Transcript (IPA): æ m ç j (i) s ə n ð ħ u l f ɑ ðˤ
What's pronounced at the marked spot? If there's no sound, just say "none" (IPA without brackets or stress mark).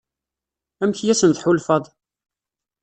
æ